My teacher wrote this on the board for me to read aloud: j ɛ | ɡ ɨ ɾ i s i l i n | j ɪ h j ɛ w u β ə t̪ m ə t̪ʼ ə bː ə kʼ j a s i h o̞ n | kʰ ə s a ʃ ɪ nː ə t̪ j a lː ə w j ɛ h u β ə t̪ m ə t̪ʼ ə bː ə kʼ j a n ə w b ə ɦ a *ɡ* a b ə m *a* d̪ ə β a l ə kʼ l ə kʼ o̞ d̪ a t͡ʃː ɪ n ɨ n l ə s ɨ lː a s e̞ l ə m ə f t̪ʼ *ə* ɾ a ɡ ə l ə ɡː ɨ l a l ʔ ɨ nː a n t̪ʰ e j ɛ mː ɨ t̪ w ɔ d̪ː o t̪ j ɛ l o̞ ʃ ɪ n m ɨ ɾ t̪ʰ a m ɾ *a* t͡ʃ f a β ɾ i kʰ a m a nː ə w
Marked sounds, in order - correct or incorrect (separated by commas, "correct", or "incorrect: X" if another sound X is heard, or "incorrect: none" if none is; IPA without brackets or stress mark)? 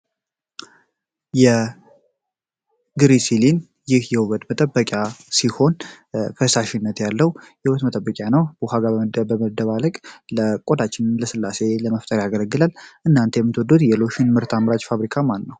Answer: correct, incorrect: ə, correct, correct